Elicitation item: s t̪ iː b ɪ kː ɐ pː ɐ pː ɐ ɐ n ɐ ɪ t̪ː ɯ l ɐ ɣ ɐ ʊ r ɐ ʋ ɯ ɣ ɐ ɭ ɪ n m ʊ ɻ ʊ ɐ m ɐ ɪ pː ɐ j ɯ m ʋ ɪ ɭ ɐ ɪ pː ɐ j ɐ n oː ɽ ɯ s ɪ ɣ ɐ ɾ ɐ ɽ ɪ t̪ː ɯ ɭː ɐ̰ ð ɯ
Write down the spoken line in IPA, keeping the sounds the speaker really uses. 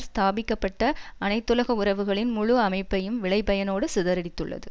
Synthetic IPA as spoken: s t̪ aː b ɪ kː ɐ pː ɐ ʈː ɐ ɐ n ɐ ɪ t̪ː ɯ l ɐ ɣ ɐ ʊ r ɐ ʋ ɯ ɣ ɐ ɭ ɪ n m ʊ ɻ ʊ ɐ m ɐ ɪ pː ɐ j ɯ m ʋ ɪ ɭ ɐ ɪ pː ɐ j ɐ n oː ɽ ɯ s ɪ ð ɐ ɾ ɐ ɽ ɪ t̪ː ɯ ɭː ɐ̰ ð ɯ